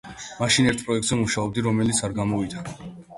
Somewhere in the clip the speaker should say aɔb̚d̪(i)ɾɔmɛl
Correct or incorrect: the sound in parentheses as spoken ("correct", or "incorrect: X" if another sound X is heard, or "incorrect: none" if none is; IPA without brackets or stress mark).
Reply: correct